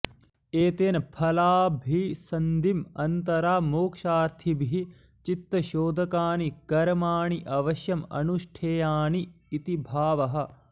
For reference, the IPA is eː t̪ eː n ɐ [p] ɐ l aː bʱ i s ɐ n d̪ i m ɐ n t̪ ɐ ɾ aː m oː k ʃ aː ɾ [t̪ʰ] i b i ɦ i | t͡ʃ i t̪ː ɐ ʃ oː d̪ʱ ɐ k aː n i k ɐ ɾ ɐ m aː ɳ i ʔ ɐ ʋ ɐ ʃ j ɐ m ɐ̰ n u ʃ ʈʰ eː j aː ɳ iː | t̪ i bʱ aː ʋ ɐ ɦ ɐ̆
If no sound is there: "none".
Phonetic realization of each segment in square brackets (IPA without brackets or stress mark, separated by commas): pʰ, t̪ʰ